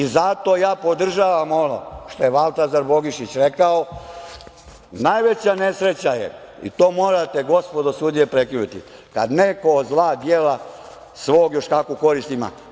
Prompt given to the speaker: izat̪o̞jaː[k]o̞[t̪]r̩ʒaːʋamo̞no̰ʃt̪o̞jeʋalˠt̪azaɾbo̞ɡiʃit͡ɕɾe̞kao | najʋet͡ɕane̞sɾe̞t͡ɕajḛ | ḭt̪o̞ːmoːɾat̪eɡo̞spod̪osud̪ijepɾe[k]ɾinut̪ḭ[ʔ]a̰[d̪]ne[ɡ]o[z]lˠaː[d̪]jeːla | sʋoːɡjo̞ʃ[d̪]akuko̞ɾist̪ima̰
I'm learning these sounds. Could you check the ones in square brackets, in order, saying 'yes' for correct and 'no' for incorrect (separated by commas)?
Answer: no, no, yes, no, yes, no, yes, yes, no